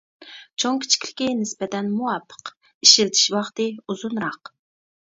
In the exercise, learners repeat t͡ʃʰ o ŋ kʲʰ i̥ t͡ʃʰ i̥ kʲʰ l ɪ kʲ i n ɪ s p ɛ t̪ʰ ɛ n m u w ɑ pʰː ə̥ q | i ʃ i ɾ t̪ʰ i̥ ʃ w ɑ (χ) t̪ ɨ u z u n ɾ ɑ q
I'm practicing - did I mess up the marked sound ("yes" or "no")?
no